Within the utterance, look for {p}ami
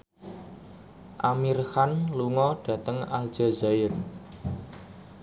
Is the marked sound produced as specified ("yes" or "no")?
no